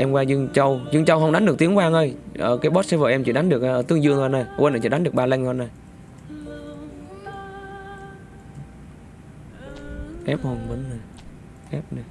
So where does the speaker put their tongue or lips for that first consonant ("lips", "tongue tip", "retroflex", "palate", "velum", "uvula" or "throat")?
throat